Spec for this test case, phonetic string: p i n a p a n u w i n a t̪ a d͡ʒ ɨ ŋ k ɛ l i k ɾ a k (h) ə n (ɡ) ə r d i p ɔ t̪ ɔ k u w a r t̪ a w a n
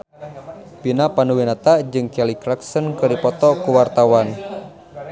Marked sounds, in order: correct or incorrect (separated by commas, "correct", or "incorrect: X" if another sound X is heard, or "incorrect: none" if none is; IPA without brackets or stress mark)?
incorrect: s, incorrect: k